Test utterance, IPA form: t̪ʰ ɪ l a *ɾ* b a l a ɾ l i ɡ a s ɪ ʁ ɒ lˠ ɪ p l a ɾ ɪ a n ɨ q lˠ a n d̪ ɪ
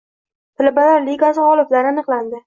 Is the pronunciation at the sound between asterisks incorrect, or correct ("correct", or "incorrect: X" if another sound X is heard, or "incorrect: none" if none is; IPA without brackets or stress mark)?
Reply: incorrect: none